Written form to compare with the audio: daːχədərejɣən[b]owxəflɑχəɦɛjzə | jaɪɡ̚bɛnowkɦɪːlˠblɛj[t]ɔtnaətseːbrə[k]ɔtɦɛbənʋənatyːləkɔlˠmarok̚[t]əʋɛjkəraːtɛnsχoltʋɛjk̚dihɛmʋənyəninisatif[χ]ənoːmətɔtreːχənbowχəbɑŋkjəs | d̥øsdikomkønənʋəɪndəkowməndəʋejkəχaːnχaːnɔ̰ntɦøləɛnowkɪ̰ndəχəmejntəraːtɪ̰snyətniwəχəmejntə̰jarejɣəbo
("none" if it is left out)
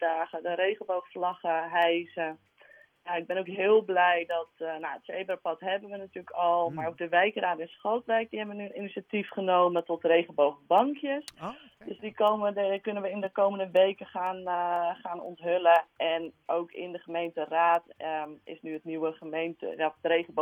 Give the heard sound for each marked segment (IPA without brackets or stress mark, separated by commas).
b, d, p, d, χ